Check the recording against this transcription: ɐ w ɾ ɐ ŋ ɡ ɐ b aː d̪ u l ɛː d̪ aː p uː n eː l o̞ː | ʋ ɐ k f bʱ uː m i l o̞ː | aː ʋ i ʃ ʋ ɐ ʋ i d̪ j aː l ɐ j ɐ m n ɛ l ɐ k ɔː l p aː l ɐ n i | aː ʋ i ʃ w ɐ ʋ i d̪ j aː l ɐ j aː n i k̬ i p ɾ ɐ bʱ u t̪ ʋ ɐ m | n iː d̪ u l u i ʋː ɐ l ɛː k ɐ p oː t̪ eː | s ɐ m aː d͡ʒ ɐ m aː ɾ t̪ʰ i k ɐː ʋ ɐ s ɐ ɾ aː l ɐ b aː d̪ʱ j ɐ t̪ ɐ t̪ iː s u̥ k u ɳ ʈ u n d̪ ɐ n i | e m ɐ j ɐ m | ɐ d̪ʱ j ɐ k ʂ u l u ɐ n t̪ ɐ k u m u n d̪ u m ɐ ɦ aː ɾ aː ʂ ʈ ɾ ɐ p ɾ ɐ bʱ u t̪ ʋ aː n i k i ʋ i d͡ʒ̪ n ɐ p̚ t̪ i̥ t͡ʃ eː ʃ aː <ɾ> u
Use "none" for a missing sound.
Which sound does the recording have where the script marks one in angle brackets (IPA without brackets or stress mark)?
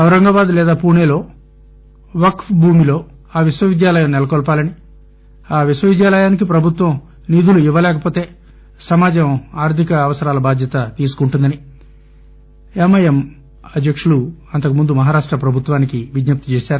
ɾ